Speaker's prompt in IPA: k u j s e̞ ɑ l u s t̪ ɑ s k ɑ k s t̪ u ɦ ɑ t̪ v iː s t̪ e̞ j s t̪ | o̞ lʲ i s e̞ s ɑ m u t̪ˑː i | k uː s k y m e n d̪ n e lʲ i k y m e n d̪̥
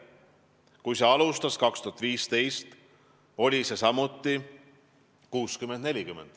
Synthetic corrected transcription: k u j s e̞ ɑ l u s t̪ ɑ s k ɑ k s t̪ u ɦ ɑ t̪ v iː s t̪ e̞ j s t̪ | o̞ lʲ i s e̞ s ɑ m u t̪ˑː i | k uː s k y m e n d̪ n e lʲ i k y m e n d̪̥

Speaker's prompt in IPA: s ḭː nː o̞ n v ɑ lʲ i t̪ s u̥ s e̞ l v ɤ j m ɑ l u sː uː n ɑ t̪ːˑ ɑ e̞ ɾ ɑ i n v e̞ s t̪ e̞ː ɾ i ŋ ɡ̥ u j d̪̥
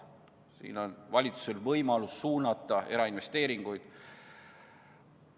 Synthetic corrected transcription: s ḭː n o̞ n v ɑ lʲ i t̪ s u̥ s e̞ l v ɤ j m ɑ l u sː uː n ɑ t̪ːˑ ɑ e̞ ɾ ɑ i n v e̞ s t̪ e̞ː ɾ i ŋ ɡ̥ u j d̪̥

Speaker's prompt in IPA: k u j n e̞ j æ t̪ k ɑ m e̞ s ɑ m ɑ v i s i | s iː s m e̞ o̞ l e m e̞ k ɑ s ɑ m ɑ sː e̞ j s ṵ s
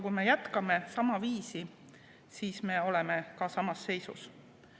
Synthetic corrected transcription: k u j m e̞ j æ t̪ k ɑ m e̞ s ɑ m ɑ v iː s i | s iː s m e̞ o̞ l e m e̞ k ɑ s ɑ m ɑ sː e̞ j s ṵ s

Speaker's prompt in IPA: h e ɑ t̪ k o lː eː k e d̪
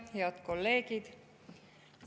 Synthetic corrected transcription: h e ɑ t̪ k o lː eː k i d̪

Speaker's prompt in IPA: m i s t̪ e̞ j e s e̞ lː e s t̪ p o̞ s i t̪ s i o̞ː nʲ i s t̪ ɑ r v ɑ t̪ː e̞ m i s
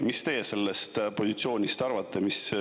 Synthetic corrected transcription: m i s t̪ e̞ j e s e̞ lː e s t̪ p o̞ s i t̪ s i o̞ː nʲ i s t̪ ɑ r v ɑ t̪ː e̞ m i s

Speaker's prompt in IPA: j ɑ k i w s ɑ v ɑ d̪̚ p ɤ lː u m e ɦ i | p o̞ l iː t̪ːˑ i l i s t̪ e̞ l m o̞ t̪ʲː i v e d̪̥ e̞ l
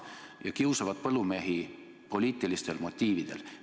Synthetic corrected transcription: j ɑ k i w s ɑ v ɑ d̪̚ p ɤ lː u m e ɦ i | p o̞ l iː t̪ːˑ i l i s t̪ e̞ l m o̞ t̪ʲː iː v i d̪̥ e̞ l

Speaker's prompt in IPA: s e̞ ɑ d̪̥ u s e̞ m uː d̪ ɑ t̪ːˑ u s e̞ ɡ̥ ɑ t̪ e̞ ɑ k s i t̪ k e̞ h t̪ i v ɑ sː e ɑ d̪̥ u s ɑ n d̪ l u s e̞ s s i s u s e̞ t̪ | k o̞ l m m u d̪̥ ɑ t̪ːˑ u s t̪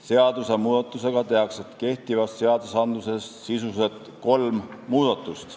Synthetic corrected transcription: s e̞ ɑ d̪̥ u s e̞ m uː d̪ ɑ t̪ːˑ u s e̞ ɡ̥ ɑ t̪ e̞ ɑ k s e t̪ k e̞ h t̪ i v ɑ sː e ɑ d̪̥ u s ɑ n d̪ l u s e̞ s s i s u s e̞ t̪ | k o̞ l m m uː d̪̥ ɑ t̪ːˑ u s t̪

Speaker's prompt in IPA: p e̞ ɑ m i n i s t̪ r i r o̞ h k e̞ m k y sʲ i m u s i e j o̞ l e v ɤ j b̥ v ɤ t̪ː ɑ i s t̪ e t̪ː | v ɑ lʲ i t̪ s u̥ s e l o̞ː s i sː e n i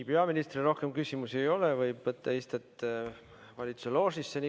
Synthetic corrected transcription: p e̞ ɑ m i n i s t̪ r i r o̞ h k e̞ m k y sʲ i m u s i e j o̞ l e v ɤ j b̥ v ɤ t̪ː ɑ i s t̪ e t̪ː | v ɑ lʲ i t̪ s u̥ s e l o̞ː s i sː e n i

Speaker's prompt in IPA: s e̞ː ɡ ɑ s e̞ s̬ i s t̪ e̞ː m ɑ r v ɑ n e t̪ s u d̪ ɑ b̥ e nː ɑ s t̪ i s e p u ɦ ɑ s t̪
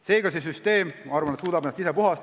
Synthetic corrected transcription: s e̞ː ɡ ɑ s e̞ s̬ y s t̪ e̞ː m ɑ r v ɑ n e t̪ s uː d̪ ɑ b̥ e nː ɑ s t̪ i s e p u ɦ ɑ s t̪

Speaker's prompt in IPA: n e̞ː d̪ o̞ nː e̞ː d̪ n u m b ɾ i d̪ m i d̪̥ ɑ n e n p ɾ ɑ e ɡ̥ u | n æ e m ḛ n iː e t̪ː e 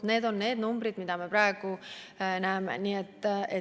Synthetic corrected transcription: n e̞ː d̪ o̞ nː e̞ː d̪ n u m b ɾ i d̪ m i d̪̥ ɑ m e p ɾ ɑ e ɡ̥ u | n æ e m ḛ n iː e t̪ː e

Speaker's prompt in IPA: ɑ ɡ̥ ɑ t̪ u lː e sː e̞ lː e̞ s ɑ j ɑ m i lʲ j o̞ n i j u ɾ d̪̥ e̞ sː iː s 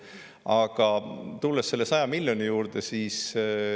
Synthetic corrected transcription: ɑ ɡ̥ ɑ t̪ u lː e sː e̞ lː e̞ s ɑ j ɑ m i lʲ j o̞ n i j uː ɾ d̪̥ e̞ s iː s

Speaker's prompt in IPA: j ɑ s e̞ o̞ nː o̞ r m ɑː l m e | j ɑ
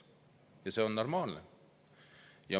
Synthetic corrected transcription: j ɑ s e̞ o̞ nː o̞ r m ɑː l n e | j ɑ

